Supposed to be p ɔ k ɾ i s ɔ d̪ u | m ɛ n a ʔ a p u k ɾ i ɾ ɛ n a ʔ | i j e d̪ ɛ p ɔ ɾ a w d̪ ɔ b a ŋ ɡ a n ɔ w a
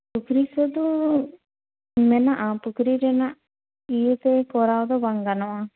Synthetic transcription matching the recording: p u k ɾ i s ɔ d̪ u | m ɛ n a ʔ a p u k ɾ i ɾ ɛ n a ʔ | i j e t̪ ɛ k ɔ ɾ a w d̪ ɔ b a ŋ ɡ a n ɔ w a

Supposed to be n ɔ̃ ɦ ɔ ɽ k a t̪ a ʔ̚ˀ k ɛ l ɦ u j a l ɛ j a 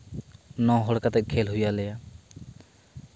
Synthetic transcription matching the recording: n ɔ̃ ɦ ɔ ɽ k a t̪ ɛ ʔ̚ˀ kʰ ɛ l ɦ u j a l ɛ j a

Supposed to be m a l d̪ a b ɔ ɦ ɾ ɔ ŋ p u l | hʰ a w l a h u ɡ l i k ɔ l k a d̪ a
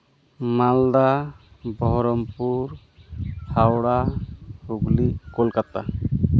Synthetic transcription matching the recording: m a l d̪ a b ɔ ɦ ɾ ɔ m p u ɾ | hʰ a w ɽ a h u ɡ l i k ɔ l k a t̪ a

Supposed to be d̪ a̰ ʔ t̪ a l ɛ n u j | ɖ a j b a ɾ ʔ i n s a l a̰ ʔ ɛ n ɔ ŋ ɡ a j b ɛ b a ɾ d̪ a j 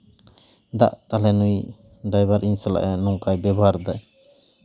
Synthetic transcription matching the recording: d̪ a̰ ʔ t̪ a l ɛ n u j | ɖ a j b a ɾ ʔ i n s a l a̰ ʔ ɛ n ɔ ŋ k a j b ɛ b a ɾ d̪ a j

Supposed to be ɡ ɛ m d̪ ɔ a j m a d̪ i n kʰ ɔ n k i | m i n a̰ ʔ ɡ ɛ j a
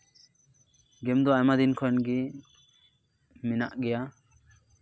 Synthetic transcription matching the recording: ɡ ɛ m d̪ ɔ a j m a d̪ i n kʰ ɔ n ɡ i | m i n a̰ ʔ ɡ ɛ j a

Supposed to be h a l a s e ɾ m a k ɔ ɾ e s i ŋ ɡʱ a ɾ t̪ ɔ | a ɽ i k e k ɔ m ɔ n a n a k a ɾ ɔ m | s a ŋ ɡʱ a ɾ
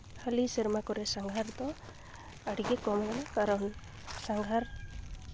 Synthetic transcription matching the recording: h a l i s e ɾ m a k ɔ ɾ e s a ŋ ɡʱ a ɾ t̪ ɔ | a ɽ i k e k ɔ m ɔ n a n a k a ɾ ɔ n | s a ŋ ɡʱ a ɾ

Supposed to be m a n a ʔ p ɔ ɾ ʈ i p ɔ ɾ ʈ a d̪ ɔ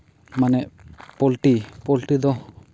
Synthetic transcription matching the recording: m a n ɛ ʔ p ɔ l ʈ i p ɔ l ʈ i d̪ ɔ

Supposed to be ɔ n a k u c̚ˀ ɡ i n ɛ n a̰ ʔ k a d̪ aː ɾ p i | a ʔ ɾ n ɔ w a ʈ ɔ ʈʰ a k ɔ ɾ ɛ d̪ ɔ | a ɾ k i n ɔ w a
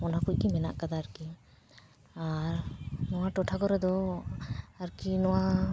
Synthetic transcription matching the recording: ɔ n a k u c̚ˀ k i m ɛ n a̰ ʔ k a d̪ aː ɾ k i | a ɾ n ɔ w a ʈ ɔ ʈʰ a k ɔ ɾ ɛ d̪ ɔ | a ɾ k i n ɔ w a

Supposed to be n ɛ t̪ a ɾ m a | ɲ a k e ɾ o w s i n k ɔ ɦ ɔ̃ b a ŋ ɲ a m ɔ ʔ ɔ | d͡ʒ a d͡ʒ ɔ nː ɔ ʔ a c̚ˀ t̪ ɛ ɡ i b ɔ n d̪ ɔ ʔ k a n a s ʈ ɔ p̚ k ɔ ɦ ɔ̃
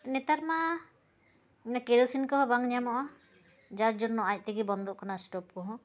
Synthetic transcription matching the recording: n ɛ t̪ a ɾ m a | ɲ a k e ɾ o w s i n k ɔ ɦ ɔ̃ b a ŋ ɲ a m ɔ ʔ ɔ | d͡ʒ a d͡ʒ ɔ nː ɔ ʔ a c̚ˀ t̪ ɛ ɡ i b ɔ n d̪ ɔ ʔ k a n a s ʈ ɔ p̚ k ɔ ɦ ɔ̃

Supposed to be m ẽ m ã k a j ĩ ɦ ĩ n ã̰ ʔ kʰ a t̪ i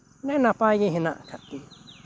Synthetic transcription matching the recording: n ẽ n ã p a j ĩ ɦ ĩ n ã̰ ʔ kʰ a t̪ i

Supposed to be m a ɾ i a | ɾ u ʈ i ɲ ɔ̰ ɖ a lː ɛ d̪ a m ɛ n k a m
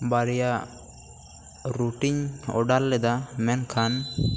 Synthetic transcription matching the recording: b a ɾ j a | ɾ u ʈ i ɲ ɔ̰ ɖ a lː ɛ d̪ a m ɛ n kʰ a n

